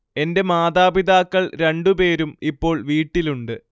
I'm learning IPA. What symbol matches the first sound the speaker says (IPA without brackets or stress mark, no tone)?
e̞